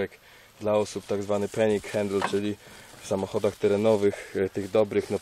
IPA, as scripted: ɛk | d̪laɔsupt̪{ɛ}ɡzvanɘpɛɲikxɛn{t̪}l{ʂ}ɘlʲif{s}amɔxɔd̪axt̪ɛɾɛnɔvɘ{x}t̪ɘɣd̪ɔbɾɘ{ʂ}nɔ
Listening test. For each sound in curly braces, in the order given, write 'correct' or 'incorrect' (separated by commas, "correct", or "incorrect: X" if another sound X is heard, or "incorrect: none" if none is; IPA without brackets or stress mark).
incorrect: a, incorrect: d̪, incorrect: t͡ʂ, correct, correct, incorrect: x